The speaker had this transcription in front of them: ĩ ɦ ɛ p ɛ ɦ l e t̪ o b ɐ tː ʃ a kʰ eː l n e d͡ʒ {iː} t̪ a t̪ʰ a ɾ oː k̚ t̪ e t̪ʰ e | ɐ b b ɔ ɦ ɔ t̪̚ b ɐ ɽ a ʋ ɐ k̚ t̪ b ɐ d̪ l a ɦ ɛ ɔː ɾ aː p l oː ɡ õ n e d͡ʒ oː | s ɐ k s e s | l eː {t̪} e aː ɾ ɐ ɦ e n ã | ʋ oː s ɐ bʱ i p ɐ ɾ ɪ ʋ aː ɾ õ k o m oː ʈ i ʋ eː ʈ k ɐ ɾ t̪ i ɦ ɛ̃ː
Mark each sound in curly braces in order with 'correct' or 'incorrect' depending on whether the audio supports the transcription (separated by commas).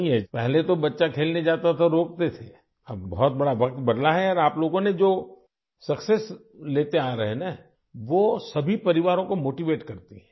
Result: incorrect, correct